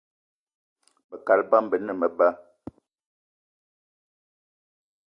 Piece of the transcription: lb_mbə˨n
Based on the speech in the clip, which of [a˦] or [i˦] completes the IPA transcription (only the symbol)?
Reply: a˦